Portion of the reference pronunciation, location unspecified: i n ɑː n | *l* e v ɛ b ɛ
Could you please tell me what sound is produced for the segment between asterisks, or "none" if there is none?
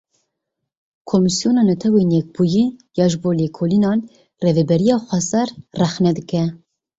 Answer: r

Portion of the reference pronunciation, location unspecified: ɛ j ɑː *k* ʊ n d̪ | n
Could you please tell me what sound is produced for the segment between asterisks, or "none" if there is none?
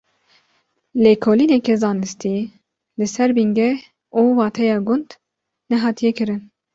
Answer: ɡ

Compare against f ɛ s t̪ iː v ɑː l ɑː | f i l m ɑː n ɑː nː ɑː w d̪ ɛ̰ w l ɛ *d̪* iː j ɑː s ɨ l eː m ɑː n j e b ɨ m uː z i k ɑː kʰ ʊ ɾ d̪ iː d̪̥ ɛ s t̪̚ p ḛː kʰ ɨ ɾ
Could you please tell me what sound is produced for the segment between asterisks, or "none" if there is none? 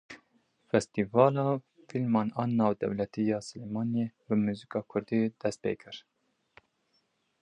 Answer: t̪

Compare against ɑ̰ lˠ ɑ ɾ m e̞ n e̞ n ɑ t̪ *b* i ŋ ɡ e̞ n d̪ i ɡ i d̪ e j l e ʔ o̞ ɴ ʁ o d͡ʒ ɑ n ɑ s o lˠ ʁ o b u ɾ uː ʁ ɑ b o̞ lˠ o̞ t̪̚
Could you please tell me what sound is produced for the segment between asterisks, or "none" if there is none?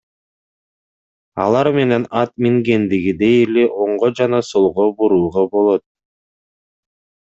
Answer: m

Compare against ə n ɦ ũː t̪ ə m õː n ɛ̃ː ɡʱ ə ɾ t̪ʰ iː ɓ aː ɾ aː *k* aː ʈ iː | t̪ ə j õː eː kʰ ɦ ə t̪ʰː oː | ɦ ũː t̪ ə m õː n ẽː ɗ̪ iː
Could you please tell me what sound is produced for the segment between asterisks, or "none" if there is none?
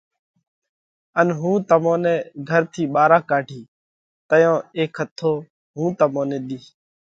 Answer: k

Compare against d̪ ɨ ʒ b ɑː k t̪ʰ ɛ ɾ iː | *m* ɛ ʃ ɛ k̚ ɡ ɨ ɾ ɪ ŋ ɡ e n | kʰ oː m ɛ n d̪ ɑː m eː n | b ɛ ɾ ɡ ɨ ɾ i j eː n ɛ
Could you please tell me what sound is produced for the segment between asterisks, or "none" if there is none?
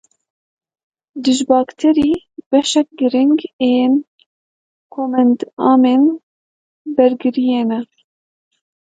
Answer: b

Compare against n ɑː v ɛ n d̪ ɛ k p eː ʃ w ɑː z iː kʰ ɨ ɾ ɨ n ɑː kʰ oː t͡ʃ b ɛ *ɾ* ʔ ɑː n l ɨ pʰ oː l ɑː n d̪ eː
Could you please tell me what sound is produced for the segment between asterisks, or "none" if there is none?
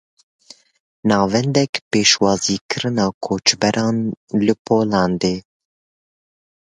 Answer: ɾ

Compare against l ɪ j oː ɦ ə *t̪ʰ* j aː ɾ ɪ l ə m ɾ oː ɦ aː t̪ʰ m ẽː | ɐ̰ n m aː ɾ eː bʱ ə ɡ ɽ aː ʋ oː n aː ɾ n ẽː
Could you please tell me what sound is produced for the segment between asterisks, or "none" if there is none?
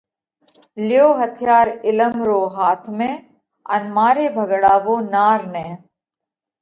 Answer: t̪ʰ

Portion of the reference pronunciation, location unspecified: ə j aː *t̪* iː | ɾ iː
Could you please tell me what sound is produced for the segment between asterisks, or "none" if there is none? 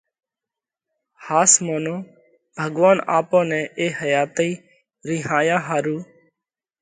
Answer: t̪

